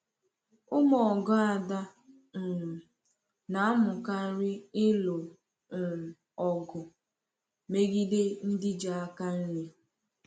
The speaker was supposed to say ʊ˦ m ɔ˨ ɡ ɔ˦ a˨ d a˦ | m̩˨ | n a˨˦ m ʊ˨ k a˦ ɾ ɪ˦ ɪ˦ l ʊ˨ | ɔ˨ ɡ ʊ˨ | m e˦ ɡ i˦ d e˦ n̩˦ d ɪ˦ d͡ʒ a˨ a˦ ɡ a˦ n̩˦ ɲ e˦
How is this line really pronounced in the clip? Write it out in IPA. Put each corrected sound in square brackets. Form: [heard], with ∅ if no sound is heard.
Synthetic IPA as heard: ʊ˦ m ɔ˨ ɡ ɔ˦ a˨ d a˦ | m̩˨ | n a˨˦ m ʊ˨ k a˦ ɾ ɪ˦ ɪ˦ l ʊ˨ | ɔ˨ ɡ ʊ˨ | m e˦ ɡ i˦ d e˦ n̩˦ d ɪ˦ d͡ʒ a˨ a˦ [k] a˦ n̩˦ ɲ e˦